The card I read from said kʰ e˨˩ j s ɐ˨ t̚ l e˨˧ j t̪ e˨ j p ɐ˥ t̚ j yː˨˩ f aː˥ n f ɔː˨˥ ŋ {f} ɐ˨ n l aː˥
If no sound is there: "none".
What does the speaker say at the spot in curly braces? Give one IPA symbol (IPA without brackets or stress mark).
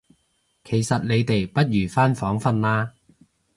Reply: f